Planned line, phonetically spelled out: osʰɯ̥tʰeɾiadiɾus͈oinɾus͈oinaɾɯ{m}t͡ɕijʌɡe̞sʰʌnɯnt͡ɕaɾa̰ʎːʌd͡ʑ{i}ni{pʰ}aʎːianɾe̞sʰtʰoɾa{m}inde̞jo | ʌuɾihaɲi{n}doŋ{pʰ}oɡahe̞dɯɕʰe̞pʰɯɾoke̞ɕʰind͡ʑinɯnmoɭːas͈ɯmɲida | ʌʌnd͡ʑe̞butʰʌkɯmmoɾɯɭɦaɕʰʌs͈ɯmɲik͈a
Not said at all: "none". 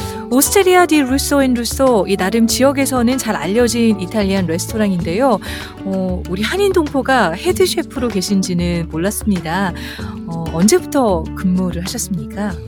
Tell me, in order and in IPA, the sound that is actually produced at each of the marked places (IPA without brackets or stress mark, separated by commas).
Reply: m, i, tʰ, ŋ, n, pʰ